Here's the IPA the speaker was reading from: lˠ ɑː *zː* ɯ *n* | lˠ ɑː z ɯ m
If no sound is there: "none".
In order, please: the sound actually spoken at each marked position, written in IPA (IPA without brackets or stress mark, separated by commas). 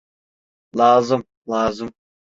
z, m